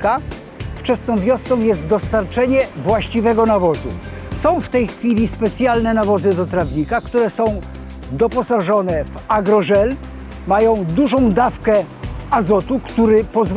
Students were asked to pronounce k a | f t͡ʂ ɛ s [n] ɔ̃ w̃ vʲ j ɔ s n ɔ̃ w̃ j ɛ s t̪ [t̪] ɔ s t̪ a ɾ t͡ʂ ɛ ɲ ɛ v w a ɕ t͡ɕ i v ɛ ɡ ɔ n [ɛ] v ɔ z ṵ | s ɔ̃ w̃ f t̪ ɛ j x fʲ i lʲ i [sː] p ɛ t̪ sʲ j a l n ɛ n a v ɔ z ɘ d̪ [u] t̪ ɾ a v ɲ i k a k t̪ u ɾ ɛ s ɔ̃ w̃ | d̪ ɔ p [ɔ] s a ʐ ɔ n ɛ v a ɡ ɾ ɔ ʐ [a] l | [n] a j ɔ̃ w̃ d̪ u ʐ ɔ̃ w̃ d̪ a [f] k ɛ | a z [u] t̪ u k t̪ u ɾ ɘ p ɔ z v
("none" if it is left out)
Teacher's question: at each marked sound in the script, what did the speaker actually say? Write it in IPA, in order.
n, d̪, a, s, ɔ, ɔ, ɛ, m, f, ɔ

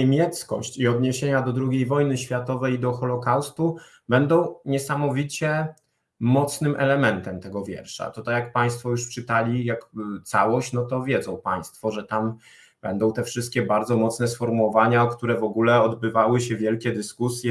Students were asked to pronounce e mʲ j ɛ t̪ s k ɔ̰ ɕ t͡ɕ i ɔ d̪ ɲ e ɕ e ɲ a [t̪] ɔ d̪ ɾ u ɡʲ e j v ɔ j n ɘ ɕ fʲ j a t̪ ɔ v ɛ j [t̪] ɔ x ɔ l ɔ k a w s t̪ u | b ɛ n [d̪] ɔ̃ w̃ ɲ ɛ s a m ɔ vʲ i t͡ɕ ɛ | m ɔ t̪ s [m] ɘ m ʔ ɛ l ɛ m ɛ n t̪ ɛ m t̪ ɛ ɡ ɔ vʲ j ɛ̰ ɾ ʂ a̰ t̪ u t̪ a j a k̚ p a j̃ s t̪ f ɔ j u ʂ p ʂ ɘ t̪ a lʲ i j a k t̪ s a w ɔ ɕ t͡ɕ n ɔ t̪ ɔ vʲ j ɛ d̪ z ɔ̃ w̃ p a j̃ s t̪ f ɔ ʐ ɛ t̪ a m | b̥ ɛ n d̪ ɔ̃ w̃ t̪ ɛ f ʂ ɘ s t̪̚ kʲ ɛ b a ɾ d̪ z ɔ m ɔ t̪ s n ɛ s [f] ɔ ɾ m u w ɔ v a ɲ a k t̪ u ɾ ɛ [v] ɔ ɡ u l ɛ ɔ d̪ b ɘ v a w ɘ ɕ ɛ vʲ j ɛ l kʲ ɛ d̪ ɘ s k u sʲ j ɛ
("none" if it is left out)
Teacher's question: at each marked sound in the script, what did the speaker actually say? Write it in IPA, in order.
d̪, d̪, d̪, n, f, v

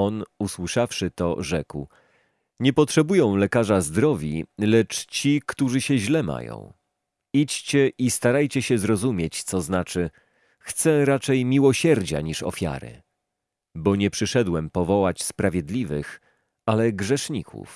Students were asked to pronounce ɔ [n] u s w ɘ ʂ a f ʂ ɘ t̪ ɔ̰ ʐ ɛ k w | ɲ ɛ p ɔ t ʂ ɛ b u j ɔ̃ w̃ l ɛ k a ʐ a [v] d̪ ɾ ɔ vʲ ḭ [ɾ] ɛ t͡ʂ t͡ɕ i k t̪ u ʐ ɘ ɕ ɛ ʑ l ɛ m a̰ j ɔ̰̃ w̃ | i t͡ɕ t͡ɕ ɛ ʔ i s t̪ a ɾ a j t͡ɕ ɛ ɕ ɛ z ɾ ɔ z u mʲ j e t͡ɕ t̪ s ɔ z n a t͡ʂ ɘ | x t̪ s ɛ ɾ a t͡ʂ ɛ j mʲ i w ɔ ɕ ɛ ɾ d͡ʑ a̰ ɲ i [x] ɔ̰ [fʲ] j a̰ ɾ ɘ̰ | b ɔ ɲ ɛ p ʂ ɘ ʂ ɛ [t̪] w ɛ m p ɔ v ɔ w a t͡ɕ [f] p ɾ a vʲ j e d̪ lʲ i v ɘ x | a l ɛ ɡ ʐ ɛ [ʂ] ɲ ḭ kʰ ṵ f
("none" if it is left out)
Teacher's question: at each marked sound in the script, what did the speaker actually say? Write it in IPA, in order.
n, z, l, ʂ, fʲ, d̪, s, ʂ

